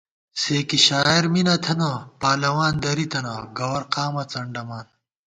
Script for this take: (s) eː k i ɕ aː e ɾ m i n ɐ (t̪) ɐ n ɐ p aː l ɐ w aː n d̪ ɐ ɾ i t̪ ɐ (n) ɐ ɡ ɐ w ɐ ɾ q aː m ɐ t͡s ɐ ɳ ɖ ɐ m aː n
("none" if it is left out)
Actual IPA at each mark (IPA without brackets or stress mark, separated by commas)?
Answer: s, t̪ʰ, n